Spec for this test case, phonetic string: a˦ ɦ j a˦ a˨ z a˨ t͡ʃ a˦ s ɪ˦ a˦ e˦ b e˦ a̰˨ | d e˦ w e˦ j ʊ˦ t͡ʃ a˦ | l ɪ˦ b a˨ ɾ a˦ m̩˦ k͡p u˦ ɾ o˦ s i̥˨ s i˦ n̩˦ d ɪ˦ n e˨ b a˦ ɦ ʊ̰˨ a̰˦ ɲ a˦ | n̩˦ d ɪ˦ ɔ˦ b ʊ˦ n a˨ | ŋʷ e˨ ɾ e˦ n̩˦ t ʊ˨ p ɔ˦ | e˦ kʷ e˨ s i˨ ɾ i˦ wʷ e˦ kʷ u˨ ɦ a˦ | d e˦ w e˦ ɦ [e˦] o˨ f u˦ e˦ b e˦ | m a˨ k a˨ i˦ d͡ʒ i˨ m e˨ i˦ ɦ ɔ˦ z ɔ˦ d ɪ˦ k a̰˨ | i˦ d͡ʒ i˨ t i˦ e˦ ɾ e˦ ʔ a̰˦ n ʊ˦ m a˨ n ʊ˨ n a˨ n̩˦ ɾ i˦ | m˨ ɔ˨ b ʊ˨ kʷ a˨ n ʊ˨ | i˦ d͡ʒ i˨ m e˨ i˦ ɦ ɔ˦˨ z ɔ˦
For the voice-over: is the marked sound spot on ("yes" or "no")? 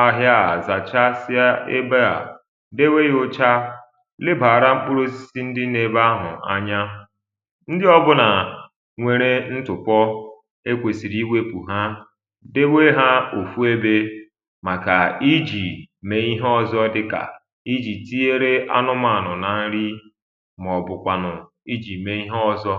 no